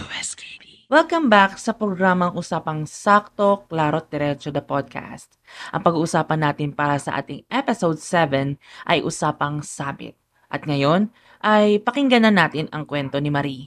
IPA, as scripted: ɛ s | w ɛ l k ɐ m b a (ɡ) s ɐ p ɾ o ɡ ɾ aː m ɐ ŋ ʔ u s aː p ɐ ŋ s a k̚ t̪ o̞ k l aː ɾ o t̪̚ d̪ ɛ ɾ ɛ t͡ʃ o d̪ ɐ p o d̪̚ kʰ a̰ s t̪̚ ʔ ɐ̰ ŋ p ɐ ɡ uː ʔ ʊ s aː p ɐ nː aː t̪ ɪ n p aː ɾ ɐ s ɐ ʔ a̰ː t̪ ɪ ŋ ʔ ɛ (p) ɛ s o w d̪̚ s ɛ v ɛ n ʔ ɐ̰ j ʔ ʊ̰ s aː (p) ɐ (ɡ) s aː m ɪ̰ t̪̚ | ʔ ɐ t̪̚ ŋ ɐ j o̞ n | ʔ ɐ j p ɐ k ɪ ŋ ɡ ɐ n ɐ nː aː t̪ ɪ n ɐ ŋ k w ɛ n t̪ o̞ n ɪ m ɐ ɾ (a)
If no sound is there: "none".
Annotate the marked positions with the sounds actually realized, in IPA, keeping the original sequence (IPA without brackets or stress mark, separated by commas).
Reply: k, p, p, ŋ, i